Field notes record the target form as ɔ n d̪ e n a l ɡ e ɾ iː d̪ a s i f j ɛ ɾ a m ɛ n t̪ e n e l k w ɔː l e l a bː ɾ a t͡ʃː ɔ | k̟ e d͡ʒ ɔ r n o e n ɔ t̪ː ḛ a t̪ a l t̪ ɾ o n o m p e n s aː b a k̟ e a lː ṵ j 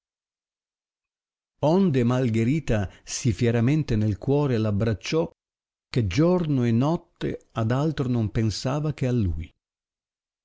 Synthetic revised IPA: ɔ n d̪ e m a l ɡ e ɾ iː t̪ a s i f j ɛ ɾ a m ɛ n t̪ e n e l k w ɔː ɾ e l a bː ɾ a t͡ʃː ɔ | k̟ e d͡ʒ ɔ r n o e n ɔ t̪ː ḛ a d̪ a l t̪ ɾ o n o m p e n s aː v a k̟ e a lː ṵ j